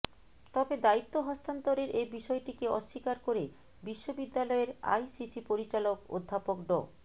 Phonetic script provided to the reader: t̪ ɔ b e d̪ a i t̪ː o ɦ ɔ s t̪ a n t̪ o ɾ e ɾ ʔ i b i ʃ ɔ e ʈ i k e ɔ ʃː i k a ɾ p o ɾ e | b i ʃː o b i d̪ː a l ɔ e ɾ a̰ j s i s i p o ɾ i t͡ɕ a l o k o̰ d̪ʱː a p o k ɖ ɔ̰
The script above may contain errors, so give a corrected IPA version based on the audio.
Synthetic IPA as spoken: t̪ ɔ b e d̪ a i t̪ː o ɦ ɔ s t̪ a n t̪ o ɾ e ɾ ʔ e b i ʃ ɔ e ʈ i k e ɔ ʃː i k a ɾ k o ɾ e | b i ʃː o b i d̪ː a l ɔ e ɾ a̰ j s i s i p o ɾ i t͡ɕ a l o k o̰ d̪ʱː a p o k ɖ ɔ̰